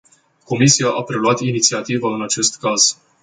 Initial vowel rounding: rounded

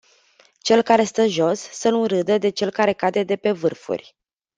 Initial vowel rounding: unrounded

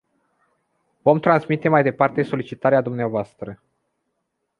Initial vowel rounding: rounded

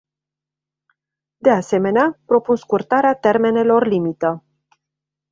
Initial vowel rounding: unrounded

